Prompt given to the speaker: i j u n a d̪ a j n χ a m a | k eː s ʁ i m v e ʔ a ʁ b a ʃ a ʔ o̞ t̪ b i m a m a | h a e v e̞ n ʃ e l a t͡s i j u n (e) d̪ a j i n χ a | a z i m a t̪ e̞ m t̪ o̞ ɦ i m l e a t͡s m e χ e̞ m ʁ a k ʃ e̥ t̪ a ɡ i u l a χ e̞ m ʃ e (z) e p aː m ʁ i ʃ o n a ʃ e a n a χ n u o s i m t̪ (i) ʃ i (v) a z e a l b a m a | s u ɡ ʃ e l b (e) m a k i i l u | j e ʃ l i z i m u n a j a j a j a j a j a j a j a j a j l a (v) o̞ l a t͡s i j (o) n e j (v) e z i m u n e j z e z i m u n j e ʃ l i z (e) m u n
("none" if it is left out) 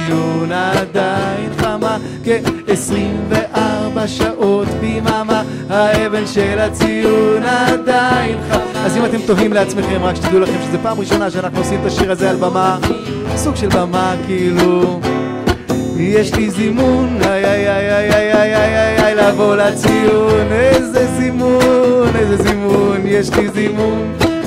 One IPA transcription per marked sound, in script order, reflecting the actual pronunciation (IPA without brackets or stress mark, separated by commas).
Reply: a, z, a, ʁ, a, v, u, z, i